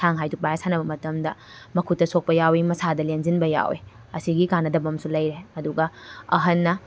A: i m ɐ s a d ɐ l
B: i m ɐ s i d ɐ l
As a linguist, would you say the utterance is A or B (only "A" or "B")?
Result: A